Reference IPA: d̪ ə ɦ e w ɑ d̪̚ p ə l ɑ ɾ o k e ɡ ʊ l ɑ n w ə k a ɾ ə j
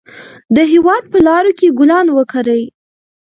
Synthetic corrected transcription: d̪ ə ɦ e w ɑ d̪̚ p ə l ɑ ɾ o k e ɡ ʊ l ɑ n w ə k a ɾ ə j